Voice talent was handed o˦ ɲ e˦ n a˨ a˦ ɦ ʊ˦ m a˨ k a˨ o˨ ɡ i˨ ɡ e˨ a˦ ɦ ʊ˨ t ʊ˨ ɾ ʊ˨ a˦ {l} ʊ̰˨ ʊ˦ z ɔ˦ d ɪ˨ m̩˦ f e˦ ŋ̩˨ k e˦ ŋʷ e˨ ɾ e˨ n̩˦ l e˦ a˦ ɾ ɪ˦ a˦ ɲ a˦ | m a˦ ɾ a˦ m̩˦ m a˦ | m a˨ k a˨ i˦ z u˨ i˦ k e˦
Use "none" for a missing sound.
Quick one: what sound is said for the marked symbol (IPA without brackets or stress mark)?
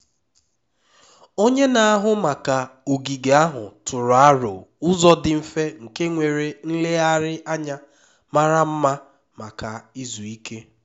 ɾ